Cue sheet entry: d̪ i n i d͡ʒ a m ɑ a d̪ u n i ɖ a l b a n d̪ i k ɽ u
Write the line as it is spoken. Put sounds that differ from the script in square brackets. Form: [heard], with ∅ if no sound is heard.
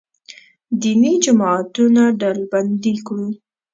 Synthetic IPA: d̪ i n i d͡ʒ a m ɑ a [t̪] u n [a] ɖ a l b a n d̪ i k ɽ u